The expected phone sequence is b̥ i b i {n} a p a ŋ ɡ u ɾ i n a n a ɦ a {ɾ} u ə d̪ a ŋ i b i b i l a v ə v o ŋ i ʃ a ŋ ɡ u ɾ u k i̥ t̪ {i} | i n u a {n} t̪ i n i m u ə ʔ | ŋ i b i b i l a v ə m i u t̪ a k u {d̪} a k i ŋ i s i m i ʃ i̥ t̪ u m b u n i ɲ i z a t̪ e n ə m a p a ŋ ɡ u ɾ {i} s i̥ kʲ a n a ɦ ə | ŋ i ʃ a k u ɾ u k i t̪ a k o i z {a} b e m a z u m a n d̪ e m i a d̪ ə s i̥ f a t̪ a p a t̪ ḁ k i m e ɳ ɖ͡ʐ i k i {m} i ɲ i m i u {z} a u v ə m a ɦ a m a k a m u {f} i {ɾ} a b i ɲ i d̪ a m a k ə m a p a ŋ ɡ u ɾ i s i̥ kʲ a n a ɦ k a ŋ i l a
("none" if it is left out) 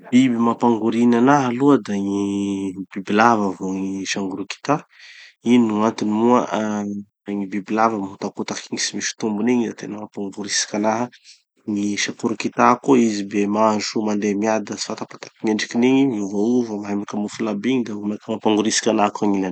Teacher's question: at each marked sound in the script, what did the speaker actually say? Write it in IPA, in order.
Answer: m, l, a, n, t̪, i, i, n, v, f, l

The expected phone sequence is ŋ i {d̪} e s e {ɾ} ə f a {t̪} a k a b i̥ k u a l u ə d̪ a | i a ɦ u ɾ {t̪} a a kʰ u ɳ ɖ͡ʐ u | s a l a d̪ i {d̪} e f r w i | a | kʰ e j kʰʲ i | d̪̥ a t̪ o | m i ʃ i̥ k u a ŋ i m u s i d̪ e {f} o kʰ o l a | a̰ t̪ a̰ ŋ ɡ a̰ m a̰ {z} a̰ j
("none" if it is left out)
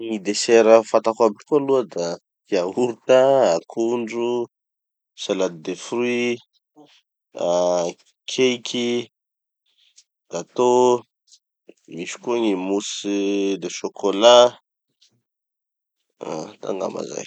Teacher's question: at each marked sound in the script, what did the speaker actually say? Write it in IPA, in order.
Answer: d̪, ɾ, t̪, t̪, d̪, ʃ, z

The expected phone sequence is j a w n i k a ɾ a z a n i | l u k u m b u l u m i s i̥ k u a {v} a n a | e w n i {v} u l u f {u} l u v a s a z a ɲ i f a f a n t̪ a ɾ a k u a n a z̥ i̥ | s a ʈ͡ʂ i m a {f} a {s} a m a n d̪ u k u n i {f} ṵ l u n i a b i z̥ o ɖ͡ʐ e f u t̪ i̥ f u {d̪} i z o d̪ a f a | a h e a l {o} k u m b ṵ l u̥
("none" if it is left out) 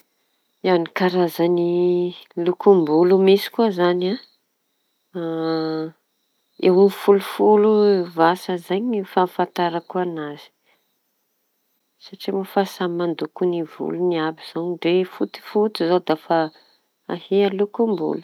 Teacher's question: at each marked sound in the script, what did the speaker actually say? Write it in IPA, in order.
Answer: z, f, u, f, s, v, t̪, u

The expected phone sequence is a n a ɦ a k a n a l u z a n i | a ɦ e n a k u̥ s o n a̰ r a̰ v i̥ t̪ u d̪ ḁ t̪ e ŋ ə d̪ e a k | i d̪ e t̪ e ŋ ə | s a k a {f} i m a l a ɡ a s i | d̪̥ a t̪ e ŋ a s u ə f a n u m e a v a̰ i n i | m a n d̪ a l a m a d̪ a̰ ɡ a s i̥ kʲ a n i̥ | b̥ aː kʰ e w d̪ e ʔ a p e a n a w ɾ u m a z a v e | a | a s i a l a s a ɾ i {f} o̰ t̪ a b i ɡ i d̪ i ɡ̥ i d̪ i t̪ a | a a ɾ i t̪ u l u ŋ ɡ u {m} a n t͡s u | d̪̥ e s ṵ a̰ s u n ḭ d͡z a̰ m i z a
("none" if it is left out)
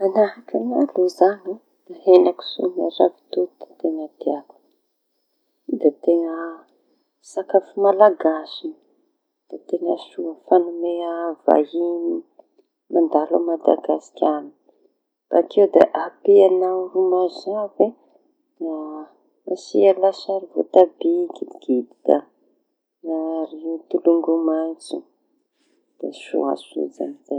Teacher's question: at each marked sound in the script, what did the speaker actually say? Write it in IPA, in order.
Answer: f, v, m

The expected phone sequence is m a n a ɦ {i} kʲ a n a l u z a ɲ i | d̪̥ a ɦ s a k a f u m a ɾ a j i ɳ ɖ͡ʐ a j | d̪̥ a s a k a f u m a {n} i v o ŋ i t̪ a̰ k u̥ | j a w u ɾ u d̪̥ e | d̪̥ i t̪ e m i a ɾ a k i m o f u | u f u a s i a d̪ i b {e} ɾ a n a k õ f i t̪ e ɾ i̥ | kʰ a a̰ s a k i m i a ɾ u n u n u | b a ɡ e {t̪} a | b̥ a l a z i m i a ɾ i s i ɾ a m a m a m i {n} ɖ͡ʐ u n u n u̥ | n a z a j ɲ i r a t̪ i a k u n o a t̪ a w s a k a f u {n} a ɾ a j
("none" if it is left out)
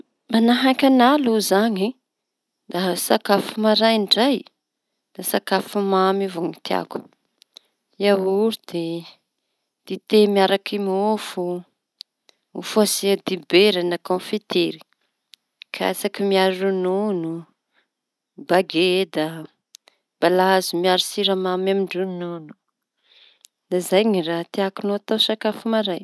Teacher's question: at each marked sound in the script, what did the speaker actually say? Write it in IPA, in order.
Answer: a, m, e, d̪, ɳ, m

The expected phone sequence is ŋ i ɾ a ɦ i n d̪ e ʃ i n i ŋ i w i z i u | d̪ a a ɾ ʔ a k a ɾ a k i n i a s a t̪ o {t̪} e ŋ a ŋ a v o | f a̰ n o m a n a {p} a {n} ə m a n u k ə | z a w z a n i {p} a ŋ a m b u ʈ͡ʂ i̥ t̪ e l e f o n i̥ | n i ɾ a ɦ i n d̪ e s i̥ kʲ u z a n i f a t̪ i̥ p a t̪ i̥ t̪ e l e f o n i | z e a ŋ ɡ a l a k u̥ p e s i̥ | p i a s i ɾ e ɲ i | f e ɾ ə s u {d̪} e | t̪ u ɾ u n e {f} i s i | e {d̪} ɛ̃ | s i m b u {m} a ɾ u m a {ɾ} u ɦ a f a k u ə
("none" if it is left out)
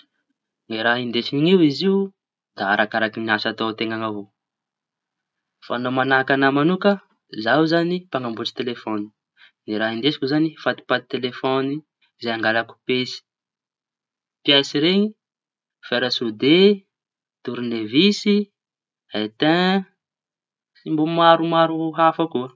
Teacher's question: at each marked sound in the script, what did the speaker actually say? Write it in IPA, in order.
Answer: t̪, k, n, p, d̪, v, t̪, m, ɾ

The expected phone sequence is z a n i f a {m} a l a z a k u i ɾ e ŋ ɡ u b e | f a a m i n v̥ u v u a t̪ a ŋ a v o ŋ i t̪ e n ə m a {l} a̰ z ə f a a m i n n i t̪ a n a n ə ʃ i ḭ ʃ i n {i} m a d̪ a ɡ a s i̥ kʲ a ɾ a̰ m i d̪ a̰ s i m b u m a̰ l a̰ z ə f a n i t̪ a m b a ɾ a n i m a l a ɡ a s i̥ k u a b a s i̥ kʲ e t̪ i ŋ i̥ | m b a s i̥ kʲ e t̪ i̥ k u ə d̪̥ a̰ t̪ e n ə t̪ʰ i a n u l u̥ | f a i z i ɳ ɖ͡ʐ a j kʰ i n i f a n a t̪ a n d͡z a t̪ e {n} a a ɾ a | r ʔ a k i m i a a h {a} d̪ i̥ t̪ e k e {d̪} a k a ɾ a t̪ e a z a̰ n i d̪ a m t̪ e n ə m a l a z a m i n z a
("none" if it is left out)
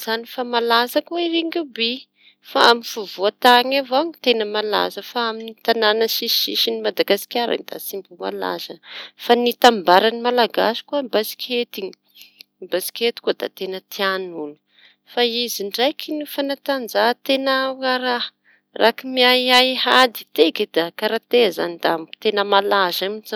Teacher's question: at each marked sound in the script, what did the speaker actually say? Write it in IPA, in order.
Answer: m, l, i, n, a, d̪

